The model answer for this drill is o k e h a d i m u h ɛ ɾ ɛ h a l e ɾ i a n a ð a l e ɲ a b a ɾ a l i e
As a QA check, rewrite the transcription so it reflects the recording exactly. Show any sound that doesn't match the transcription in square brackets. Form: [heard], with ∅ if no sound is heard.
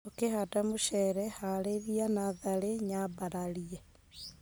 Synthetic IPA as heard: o k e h a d [a] m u [ʃ] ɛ ɾ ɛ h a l e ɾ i a n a ð a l e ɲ a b a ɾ a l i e